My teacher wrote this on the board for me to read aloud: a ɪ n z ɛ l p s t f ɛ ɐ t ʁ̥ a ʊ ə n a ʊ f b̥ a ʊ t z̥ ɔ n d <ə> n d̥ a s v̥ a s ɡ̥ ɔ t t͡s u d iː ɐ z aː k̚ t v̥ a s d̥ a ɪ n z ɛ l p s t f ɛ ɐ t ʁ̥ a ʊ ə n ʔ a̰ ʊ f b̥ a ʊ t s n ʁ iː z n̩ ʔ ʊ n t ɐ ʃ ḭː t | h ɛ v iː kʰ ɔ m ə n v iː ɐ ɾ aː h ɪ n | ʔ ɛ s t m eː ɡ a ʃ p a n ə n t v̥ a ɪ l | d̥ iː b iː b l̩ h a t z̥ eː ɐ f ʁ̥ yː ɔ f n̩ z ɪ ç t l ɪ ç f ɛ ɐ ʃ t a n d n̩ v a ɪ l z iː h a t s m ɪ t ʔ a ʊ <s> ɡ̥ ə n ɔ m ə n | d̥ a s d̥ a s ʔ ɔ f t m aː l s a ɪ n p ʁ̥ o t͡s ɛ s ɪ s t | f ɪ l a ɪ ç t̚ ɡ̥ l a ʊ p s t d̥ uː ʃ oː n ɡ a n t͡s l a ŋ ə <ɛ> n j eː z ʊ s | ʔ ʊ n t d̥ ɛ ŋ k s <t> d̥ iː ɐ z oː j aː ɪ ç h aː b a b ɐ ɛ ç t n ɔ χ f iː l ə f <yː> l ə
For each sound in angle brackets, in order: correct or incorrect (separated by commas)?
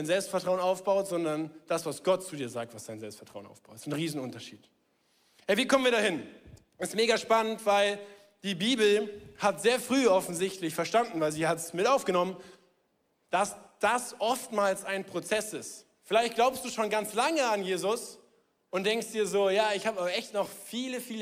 incorrect, incorrect, incorrect, correct, incorrect